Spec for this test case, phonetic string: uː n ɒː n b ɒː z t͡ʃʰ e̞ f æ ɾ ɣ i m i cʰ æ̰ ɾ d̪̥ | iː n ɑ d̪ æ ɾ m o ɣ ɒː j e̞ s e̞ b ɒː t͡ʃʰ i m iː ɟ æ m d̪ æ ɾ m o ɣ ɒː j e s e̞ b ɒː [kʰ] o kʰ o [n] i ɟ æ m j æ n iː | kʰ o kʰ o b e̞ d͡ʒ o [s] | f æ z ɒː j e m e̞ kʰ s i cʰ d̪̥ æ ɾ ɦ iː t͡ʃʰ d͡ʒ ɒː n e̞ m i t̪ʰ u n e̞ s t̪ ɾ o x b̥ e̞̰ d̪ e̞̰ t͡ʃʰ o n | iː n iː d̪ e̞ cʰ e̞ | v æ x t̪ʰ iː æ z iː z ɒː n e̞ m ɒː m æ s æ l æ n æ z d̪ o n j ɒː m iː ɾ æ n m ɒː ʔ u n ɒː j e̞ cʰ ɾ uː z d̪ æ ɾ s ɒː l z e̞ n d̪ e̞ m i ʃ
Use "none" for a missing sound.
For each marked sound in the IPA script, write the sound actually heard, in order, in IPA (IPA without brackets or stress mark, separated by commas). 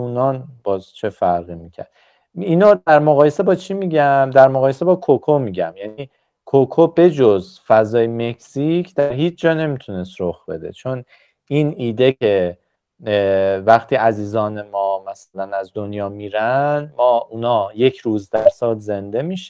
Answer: kʰ, m, z